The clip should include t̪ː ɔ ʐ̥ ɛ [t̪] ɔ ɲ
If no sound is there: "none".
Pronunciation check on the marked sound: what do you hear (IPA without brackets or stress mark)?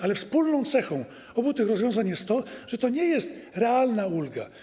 t̪